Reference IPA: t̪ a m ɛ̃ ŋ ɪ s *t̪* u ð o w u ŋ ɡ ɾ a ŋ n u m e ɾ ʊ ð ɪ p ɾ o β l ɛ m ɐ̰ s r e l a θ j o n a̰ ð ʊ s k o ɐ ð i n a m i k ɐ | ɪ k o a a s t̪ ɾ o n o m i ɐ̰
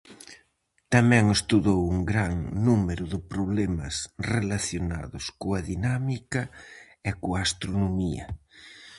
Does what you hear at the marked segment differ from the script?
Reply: no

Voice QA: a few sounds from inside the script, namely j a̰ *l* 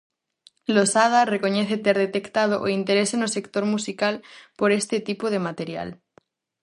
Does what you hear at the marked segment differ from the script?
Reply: no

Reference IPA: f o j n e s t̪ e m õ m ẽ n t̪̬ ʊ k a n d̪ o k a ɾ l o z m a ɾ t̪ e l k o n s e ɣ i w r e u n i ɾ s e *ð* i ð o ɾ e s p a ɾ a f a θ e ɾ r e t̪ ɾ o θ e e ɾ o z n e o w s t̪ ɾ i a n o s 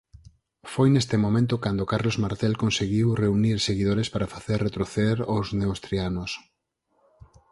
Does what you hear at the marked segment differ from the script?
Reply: yes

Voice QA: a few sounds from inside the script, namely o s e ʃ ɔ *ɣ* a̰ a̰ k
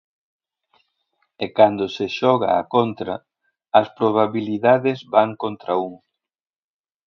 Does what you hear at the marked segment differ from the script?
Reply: no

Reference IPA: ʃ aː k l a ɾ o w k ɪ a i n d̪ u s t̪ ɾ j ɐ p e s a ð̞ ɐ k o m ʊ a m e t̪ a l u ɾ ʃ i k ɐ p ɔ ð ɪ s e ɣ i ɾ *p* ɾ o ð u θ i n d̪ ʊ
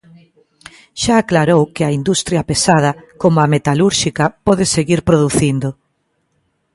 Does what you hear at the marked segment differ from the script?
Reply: no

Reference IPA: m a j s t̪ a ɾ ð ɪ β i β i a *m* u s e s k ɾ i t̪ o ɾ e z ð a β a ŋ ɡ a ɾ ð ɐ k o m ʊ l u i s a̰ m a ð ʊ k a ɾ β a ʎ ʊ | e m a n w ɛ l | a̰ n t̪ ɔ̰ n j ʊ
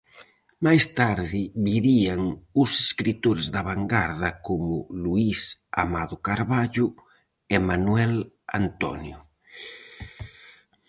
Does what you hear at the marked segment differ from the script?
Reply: yes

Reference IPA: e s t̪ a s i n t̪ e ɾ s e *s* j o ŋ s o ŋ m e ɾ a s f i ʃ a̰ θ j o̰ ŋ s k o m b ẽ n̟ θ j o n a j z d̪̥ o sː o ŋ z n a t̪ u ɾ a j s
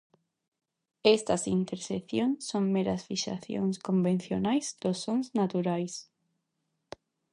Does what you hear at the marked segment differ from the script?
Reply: yes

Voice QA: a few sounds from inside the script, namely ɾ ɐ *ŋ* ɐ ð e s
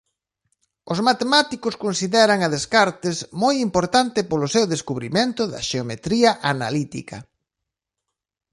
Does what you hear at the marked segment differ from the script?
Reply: no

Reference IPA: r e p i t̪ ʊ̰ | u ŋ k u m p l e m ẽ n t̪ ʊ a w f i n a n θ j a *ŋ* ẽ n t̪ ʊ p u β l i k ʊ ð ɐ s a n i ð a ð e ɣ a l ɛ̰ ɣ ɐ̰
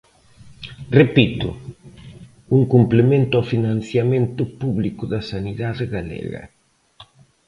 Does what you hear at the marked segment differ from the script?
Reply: yes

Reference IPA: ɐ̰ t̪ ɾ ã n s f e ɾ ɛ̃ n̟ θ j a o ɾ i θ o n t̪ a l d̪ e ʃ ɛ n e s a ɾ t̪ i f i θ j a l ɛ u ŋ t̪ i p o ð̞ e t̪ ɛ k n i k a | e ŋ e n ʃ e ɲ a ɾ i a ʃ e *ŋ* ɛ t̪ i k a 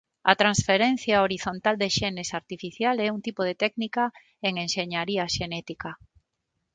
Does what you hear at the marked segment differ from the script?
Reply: yes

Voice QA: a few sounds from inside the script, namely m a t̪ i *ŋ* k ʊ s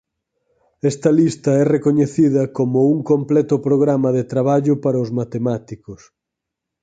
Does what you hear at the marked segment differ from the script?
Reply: yes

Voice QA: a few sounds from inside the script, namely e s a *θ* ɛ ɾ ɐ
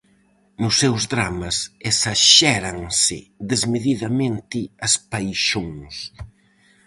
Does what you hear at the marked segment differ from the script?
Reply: yes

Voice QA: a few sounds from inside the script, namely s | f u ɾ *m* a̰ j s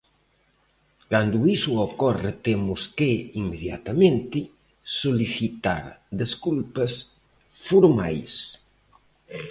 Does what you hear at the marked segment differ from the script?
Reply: no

